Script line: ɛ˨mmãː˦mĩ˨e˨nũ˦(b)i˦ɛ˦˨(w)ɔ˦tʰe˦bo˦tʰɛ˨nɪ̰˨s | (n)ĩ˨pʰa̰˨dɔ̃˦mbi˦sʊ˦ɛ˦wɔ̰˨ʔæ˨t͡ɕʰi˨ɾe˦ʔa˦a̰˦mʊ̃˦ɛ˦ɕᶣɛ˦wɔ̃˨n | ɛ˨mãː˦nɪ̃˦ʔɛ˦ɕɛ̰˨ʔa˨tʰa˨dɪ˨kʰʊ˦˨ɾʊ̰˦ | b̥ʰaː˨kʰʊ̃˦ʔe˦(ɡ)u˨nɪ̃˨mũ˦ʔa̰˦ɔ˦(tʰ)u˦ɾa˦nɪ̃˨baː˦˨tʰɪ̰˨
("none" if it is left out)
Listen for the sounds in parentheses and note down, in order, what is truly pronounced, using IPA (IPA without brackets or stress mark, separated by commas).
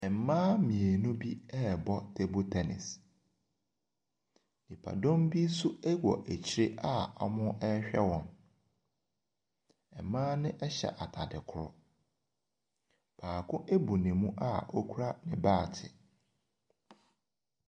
b, b, n, b, kʰ